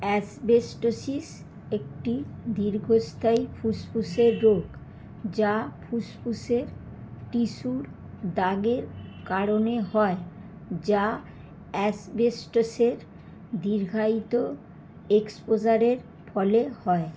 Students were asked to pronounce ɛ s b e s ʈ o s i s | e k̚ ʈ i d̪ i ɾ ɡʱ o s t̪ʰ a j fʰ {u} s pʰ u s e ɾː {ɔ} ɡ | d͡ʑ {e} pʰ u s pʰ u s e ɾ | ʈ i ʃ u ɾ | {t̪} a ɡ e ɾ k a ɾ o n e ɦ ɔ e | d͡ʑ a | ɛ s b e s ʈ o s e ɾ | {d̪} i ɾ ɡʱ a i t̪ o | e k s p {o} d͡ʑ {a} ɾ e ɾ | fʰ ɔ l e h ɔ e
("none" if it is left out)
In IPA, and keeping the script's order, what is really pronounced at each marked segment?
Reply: u, o, a, d̪, d̪, o, a

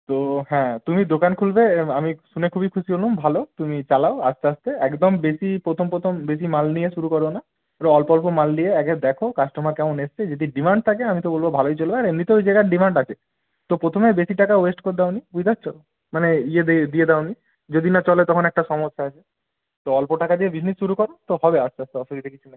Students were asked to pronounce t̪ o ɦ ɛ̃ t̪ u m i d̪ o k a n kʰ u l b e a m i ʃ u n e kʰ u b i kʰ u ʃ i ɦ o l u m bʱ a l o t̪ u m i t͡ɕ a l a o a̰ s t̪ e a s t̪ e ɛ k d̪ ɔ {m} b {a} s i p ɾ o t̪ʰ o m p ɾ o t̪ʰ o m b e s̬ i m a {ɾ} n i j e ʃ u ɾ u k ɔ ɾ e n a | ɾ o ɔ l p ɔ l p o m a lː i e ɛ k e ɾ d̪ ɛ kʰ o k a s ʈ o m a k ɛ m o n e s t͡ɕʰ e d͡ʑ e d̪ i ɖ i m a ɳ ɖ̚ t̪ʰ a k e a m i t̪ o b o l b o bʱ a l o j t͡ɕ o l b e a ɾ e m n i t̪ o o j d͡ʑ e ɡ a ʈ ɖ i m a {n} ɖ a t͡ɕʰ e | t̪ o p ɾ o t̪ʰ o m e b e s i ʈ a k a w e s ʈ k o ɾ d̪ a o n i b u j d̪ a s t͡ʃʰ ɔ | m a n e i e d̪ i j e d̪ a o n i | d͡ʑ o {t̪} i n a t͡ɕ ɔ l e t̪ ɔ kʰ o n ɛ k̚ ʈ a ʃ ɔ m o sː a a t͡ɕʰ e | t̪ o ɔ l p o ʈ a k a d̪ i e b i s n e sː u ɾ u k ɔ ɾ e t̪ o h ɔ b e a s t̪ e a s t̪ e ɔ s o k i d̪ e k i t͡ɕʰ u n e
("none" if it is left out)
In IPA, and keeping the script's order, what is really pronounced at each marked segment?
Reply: m, e, l, ɳ, d̪

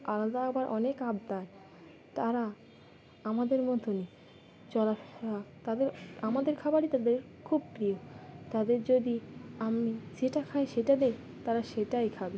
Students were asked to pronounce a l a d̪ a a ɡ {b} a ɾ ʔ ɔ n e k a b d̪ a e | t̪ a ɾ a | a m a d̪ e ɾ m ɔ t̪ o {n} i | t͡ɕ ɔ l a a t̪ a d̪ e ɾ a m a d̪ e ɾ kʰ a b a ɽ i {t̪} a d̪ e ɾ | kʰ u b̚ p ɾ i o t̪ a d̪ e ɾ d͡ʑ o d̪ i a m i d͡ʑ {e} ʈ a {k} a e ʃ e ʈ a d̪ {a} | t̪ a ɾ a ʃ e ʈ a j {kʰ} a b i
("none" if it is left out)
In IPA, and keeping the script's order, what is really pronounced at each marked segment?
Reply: b, n, t̪, e, kʰ, e, kʰ

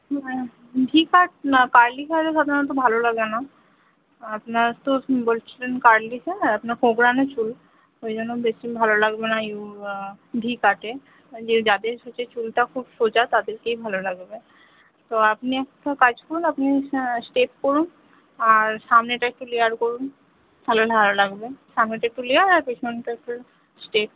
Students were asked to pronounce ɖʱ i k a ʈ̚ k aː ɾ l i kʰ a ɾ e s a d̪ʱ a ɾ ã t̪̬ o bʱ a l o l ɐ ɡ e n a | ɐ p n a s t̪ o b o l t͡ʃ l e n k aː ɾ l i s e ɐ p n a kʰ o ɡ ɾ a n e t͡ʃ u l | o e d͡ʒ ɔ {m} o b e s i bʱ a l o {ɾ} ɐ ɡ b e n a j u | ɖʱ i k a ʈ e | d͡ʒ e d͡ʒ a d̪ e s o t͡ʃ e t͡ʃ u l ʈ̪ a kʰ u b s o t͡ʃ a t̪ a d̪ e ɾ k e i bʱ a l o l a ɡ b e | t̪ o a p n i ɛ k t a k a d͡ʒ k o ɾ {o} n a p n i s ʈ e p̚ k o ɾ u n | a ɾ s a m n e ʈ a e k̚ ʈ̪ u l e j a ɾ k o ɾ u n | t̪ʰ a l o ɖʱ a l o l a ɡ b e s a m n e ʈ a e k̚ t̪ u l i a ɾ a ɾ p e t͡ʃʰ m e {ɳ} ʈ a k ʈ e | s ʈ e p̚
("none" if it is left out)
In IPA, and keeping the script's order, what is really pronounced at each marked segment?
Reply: n, l, u, n

